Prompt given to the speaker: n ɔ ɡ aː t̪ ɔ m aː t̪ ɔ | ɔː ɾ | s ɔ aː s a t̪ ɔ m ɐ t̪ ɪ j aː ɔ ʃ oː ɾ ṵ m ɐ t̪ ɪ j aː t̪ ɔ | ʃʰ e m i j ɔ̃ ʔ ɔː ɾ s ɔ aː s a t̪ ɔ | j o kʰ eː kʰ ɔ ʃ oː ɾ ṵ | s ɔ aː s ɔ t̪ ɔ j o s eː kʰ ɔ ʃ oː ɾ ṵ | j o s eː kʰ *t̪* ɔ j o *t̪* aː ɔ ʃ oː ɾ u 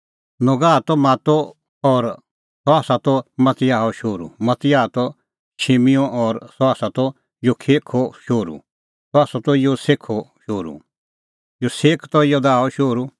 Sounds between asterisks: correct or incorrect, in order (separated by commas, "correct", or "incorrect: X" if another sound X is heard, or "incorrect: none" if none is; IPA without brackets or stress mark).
correct, incorrect: d̪